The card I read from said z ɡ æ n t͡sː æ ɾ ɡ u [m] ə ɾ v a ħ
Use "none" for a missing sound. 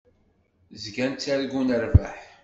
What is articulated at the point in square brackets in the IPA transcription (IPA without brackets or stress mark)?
n